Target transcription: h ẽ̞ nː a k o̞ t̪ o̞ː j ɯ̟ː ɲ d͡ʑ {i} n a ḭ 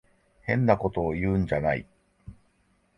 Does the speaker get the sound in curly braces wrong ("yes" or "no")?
yes